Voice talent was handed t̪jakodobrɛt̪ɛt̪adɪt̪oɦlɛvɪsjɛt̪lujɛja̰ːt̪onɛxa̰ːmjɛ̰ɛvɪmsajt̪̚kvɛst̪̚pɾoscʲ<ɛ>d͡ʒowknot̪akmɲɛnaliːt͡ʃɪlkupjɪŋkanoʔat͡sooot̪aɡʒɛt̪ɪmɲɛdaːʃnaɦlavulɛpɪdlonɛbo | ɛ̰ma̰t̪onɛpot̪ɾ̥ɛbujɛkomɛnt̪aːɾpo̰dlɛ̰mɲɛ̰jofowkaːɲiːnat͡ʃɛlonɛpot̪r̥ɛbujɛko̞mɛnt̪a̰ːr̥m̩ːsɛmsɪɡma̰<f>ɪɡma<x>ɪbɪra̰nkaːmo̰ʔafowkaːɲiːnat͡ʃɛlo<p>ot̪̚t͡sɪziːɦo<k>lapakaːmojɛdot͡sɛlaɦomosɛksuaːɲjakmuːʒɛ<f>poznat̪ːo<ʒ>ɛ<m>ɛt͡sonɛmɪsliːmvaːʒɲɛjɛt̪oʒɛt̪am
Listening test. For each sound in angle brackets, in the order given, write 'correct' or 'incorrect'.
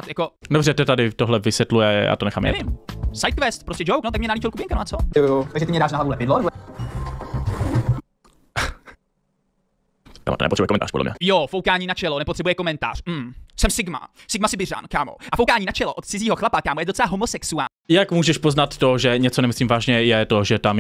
correct, incorrect: s, incorrect: s, incorrect: ʔ, incorrect: x, incorrect: ʃ, correct, incorrect: ɲ

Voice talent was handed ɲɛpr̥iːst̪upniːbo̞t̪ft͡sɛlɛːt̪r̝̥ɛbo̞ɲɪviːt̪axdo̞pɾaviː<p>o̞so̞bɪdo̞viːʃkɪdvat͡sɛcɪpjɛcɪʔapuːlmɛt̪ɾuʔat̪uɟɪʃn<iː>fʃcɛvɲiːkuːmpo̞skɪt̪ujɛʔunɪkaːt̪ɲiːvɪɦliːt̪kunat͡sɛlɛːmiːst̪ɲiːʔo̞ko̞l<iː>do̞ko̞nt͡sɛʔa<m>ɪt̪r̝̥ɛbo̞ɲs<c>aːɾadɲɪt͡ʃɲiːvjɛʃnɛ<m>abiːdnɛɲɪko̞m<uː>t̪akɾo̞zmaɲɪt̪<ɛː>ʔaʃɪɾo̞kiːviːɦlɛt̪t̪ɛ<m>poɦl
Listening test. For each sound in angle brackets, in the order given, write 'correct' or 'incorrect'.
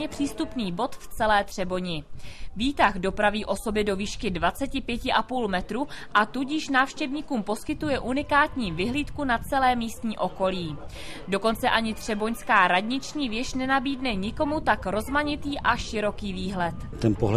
incorrect: ʔ, incorrect: aː, correct, incorrect: ɲ, incorrect: k, incorrect: n, incorrect: u, incorrect: iː, incorrect: n

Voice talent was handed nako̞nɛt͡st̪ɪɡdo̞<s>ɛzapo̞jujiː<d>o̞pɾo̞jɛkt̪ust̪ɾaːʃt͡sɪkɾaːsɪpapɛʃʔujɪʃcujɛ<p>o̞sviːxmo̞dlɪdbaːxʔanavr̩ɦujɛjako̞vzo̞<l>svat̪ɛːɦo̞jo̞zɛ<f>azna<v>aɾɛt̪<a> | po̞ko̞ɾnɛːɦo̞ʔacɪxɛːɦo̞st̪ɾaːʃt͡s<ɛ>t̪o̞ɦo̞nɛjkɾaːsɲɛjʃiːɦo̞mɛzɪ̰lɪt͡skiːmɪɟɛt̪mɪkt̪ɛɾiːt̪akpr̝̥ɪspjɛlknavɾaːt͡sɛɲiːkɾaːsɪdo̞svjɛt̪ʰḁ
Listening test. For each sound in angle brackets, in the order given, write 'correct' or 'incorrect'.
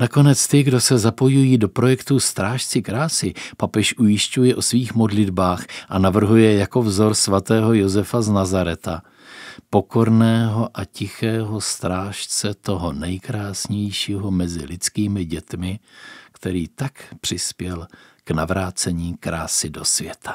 correct, correct, incorrect: ʔ, incorrect: ɾ, correct, incorrect: z, correct, correct

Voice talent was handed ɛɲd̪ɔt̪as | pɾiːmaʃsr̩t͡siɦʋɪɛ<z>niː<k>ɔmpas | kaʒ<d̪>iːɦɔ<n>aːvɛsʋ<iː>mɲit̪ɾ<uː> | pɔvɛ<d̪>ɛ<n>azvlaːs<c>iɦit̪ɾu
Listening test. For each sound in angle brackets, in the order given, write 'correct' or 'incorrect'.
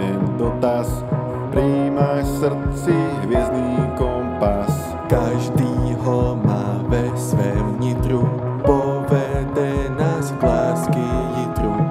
correct, correct, correct, incorrect: m, incorrect: ɛː, incorrect: u, correct, correct, incorrect: k

